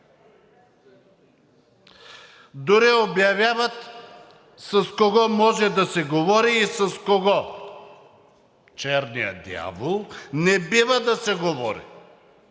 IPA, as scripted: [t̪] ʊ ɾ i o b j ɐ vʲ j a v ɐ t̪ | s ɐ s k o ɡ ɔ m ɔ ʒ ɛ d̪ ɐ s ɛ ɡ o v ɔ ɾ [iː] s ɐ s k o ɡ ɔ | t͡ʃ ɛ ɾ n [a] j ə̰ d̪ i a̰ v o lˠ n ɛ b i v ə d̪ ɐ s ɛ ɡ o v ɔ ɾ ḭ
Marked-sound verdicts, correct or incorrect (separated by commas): incorrect, correct, incorrect